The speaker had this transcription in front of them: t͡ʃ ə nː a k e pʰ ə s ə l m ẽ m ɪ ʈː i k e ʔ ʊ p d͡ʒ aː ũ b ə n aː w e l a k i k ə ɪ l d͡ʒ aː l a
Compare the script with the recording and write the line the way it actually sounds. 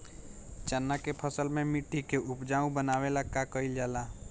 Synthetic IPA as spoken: t͡ʃ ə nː a k e pʰ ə s ə l m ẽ m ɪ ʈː i k e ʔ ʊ p d͡ʒ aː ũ b ə n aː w e l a k a k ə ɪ l d͡ʒ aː l a